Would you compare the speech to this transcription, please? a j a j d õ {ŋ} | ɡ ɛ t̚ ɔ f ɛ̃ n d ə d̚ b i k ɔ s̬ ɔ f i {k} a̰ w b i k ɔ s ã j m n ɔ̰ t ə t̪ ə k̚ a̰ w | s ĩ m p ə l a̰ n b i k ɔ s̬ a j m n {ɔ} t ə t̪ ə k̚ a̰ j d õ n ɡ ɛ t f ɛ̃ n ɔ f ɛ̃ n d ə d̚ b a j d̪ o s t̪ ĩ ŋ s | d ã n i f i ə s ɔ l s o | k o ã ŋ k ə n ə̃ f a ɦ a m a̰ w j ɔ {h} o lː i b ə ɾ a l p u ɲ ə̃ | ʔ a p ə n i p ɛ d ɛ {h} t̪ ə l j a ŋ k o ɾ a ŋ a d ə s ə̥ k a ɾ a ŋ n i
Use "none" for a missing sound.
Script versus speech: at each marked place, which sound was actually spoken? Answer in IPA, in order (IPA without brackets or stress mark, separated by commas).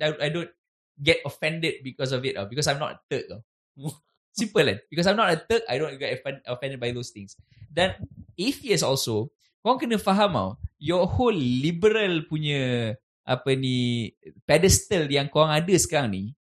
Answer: n, t, ɔ, h, s